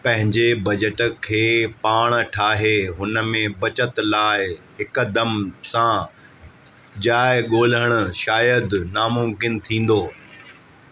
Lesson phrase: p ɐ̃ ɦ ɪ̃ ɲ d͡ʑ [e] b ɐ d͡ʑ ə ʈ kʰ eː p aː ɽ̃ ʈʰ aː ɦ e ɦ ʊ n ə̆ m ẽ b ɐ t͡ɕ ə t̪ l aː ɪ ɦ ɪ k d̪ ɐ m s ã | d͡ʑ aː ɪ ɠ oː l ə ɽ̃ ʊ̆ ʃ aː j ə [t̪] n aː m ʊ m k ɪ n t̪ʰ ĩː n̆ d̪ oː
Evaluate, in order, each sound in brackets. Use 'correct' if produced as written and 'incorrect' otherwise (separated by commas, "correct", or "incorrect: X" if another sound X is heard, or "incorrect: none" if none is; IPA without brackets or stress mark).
correct, incorrect: d̪